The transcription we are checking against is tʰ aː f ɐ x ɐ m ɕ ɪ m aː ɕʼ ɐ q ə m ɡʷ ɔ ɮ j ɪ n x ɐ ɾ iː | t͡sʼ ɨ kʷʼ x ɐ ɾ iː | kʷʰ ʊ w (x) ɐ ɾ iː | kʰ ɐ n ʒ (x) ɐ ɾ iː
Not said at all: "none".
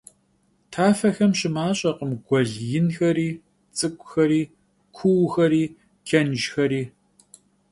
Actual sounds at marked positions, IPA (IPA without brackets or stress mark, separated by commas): x, x